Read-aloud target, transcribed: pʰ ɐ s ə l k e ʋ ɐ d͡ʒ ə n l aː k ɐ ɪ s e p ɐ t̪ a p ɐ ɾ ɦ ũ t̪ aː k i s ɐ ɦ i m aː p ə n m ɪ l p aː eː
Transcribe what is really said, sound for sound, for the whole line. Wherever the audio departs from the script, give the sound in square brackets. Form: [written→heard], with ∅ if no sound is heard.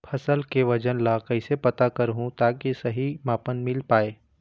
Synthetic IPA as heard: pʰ ɐ s ə l k e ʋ ɐ d͡ʒ ə n l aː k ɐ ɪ s e p ɐ t̪ a [p→k] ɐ ɾ ɦ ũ t̪ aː k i s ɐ ɦ i m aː p ə n m ɪ l p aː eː